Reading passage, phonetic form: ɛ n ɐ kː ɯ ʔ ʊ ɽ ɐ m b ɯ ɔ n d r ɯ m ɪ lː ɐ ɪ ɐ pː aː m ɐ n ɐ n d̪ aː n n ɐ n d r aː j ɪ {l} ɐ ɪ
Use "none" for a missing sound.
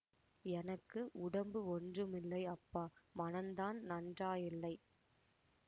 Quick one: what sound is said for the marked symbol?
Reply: lː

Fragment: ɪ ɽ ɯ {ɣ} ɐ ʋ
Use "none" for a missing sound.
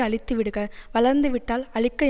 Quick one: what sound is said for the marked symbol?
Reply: ɣ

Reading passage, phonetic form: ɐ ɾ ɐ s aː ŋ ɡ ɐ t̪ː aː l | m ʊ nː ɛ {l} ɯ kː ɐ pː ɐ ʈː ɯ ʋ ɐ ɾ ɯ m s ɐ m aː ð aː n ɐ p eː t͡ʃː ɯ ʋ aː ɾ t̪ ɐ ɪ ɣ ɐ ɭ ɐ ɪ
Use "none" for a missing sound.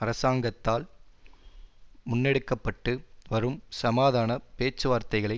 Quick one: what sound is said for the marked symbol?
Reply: ɽ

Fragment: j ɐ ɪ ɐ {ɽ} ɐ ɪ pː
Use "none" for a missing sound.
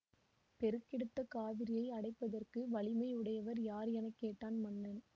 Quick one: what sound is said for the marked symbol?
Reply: ɽ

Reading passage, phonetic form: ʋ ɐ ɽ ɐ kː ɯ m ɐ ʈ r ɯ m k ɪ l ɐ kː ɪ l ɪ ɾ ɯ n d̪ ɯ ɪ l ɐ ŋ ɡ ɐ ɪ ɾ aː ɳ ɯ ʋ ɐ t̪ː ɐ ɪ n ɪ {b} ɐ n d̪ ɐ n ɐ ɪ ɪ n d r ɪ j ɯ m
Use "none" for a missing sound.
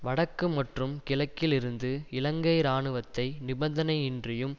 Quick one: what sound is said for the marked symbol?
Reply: b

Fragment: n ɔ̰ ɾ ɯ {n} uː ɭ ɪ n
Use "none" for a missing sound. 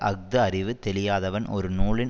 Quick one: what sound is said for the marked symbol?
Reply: n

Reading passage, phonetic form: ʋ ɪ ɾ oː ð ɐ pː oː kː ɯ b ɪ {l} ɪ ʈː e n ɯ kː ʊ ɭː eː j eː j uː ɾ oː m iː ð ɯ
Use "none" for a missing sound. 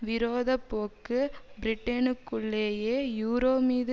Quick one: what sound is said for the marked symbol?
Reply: ɾ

